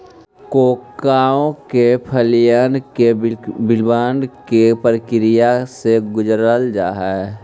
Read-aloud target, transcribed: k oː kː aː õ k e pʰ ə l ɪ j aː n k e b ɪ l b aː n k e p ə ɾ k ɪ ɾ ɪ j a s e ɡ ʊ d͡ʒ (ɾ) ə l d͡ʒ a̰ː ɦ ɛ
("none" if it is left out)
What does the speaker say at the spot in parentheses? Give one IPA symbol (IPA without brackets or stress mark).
ɾ